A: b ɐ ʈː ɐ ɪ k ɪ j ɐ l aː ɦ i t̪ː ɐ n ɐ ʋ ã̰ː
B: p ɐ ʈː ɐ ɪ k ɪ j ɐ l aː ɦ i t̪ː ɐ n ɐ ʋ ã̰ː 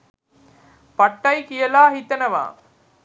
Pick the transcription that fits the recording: B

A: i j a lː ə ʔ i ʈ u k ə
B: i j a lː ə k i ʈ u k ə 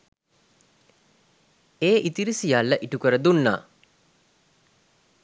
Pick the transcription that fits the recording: A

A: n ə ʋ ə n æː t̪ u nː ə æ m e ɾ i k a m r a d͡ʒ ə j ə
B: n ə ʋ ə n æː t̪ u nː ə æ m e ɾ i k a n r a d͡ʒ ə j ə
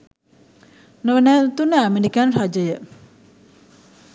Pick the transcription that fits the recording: B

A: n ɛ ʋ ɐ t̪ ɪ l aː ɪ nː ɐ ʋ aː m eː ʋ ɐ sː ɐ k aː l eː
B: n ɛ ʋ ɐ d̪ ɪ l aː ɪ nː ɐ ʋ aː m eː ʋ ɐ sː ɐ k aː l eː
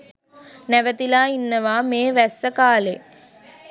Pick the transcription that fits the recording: A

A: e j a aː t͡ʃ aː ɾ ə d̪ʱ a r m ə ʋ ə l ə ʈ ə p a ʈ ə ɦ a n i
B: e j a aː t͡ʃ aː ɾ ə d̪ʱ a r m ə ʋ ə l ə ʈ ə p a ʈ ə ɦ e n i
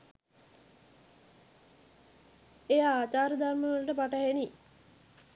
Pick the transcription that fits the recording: B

